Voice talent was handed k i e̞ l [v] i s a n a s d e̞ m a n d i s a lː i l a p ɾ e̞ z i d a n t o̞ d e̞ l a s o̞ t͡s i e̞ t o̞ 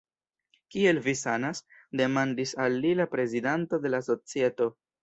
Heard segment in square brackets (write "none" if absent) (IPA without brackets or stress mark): v